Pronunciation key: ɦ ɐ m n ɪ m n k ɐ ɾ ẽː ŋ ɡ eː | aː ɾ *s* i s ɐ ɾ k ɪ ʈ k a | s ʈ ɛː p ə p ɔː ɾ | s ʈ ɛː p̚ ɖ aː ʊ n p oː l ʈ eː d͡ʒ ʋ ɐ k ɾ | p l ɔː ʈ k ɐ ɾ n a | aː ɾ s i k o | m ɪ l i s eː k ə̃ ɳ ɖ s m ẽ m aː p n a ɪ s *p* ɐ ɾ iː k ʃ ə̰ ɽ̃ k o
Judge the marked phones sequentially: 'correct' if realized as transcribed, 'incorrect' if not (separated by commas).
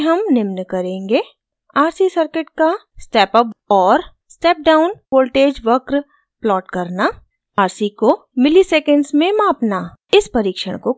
correct, correct